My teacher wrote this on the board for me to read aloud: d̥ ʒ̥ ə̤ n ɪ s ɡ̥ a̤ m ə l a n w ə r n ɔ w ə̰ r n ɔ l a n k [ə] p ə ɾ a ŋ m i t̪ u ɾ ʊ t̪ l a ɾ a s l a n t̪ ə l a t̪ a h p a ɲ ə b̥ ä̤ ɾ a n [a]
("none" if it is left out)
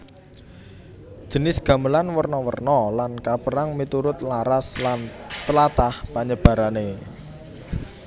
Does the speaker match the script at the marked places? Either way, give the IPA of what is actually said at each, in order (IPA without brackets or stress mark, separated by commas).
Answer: a, e